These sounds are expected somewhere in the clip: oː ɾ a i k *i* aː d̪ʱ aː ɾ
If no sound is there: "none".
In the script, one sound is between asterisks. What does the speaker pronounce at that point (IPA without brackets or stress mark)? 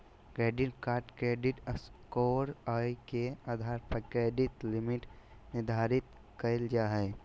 e